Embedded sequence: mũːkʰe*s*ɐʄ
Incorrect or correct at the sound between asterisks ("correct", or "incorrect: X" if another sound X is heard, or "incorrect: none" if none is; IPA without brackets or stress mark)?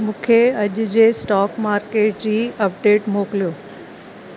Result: incorrect: none